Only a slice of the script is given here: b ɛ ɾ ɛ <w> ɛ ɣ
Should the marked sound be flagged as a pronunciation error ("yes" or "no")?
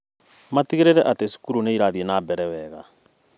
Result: no